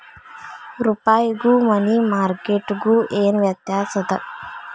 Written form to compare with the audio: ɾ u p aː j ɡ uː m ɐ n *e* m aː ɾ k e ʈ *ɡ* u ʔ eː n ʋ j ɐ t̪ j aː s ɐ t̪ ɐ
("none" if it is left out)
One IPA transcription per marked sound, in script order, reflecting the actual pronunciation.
i, ɡ

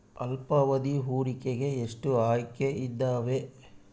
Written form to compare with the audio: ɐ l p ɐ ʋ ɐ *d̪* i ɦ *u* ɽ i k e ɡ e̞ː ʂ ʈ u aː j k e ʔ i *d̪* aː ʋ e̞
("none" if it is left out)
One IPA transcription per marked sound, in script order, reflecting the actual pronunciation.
d̪, uː, d̪ː

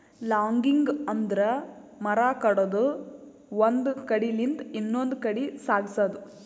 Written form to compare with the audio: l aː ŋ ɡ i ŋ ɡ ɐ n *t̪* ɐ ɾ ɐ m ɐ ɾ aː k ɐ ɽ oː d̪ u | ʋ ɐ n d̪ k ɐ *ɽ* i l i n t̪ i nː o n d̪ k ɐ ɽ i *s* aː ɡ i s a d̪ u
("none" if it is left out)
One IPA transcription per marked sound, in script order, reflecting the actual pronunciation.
d̪, ɽ, s

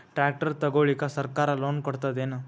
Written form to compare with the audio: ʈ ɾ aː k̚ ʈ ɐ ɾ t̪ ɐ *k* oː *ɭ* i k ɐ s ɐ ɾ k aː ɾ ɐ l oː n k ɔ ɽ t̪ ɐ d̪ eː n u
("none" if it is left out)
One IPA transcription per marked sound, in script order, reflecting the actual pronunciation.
ɡ, ɭ

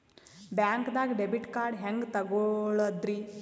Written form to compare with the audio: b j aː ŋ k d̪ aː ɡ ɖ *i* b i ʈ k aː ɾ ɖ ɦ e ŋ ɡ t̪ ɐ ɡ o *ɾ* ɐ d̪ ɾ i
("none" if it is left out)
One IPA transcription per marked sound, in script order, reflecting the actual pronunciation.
e, ɭ

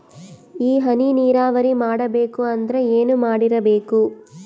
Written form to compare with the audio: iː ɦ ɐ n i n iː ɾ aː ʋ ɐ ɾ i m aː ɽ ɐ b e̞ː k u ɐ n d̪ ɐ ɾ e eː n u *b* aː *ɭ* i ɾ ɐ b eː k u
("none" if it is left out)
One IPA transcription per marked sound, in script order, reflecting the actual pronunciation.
m, ɽ

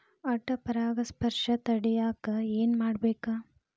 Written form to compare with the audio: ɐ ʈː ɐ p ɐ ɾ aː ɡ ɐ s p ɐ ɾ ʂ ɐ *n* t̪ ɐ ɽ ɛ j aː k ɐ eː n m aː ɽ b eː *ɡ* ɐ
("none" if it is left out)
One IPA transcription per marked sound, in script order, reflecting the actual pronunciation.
none, k

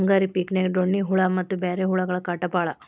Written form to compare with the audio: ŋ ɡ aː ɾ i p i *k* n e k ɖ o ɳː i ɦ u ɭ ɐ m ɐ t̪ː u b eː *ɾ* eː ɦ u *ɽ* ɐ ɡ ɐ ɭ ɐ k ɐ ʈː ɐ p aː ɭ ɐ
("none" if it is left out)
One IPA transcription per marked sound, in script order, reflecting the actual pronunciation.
k, ɾ, ɭ

